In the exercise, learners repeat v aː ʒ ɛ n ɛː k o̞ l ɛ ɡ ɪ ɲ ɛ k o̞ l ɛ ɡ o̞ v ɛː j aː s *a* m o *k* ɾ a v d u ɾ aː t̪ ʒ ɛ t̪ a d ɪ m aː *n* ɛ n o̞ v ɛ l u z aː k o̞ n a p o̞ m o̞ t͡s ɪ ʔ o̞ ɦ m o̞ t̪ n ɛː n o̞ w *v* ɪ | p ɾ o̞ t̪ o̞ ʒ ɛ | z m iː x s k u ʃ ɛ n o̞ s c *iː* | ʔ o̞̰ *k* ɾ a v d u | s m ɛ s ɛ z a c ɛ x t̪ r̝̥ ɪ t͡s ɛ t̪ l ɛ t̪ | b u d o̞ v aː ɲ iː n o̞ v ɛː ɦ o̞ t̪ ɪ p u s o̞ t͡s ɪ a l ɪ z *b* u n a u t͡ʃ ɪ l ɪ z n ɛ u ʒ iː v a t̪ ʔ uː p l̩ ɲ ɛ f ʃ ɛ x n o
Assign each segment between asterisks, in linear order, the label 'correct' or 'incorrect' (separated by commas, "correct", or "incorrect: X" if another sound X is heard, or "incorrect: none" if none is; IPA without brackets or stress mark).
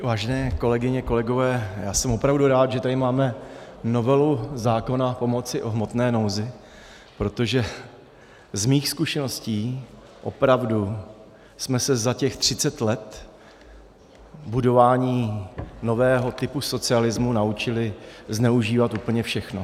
incorrect: ɛ, incorrect: p, incorrect: m, incorrect: z, correct, incorrect: p, incorrect: m